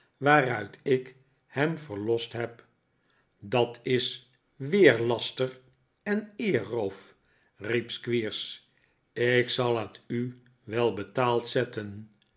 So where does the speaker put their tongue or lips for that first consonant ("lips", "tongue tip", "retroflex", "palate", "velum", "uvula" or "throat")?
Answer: lips